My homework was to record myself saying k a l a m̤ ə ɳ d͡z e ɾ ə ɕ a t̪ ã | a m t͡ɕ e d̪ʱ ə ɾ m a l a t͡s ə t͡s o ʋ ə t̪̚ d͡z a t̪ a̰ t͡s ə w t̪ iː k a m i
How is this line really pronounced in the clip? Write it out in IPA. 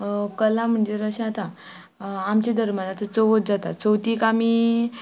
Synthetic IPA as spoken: k ə l a m̤ ə ɳ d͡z e ɾ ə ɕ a t̪ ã | a m t͡ɕ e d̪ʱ ə ɾ m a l a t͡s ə t͡s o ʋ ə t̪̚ d͡z a t̪ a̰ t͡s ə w t̪ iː k a m i